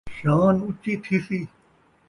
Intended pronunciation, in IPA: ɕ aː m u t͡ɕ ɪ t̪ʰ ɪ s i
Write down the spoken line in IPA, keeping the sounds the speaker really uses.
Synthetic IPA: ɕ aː n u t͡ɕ i t̪ʰ i s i